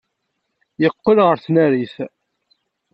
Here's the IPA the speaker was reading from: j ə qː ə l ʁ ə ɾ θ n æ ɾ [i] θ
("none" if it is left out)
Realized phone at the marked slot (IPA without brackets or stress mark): i